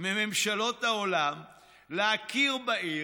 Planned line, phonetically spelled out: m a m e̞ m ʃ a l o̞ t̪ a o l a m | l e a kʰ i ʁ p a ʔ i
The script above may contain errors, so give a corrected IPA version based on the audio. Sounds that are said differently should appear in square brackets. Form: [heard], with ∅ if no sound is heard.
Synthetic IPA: m [e] m e̞ m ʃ a l o̞ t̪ a o l a m | l e a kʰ i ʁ [b] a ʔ i

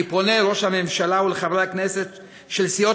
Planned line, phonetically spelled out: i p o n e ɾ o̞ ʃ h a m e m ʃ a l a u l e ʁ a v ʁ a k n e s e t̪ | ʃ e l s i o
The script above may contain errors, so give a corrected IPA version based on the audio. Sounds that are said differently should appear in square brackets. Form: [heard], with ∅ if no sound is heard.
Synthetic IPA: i p o n e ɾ o̞ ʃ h a m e m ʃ a l a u l e [χ] a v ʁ a k n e s e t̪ | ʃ e l s i o

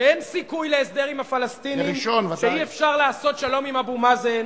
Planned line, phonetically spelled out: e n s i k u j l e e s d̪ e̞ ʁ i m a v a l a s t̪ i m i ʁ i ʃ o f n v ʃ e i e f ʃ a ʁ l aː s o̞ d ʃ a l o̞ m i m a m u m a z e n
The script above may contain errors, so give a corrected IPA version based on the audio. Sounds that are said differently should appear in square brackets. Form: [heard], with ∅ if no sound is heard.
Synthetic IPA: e n s i k u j l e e s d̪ e̞ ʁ i m a [f] a l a s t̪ i [n] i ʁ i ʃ o [∅] n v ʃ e i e f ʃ a ʁ l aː s o̞ [t] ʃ a l o̞ m i m a [b] u m a z e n

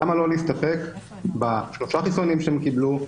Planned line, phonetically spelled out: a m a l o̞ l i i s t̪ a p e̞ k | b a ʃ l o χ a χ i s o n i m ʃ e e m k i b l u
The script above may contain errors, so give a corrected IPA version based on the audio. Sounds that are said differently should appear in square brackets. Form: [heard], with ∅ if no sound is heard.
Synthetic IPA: a m a l o̞ l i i s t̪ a p e̞ k | b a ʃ l o [ʃ] a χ i s o n i m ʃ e e m k i b l u

